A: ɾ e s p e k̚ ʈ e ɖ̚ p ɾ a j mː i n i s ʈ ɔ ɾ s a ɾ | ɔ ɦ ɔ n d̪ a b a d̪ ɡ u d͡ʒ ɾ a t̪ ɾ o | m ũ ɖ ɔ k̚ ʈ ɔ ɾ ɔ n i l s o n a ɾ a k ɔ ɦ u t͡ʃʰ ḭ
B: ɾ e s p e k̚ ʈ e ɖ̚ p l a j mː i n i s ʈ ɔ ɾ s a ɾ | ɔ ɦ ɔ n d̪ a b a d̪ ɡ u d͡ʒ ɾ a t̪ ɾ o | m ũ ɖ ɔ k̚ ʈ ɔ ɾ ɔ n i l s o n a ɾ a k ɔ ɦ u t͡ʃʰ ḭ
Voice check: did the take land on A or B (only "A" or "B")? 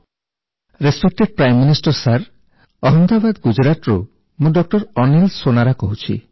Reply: A